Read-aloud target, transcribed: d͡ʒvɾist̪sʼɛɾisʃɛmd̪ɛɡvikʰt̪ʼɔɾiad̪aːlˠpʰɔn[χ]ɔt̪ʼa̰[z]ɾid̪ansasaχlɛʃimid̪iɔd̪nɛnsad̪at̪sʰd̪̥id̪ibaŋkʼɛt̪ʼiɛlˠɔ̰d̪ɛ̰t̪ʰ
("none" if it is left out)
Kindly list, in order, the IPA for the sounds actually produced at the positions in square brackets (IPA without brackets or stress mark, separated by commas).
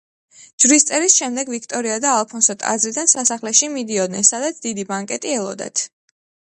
s, z